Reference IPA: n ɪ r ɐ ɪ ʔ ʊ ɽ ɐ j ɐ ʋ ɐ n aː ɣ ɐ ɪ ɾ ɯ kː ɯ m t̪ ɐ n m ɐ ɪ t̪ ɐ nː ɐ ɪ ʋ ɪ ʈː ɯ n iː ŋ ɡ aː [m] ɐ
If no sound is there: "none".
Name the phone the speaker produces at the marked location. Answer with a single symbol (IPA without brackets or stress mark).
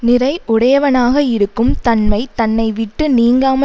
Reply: m